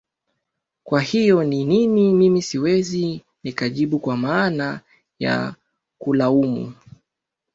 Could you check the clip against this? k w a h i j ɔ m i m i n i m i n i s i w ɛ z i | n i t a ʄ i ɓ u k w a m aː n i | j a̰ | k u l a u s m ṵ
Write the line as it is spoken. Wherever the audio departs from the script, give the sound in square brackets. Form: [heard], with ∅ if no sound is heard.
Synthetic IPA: k w a h i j ɔ [n] i [n] i n i m i [m] i s i w ɛ z i | n i [k] a ʄ i ɓ u k w a m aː n [a] | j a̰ | k u l a u [∅] m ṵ